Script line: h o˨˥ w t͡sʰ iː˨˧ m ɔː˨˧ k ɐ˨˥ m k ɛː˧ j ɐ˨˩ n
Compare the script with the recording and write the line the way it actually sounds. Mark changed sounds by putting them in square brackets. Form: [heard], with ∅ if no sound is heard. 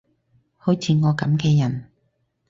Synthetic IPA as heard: h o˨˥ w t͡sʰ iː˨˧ [ŋ] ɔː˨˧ k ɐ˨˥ m k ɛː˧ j ɐ˨˩ n